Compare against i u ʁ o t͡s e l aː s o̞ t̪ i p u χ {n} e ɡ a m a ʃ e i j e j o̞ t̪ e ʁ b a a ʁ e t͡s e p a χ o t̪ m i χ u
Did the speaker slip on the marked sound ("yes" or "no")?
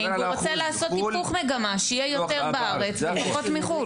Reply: yes